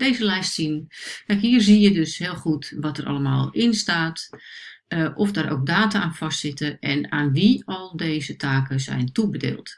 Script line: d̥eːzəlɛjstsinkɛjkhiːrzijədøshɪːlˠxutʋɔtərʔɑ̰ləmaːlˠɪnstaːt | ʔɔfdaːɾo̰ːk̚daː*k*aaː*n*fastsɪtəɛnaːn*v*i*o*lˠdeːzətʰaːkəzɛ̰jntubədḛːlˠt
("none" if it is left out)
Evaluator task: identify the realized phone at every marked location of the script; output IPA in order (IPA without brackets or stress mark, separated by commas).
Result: t, n, ʋ, ɔ